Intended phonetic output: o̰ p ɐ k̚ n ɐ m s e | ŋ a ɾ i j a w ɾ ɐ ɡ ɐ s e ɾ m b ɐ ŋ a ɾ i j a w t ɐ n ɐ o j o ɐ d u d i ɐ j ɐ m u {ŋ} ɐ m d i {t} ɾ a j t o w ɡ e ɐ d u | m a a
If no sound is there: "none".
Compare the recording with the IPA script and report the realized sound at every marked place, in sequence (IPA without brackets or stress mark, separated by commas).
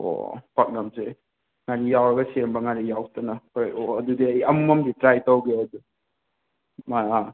m, t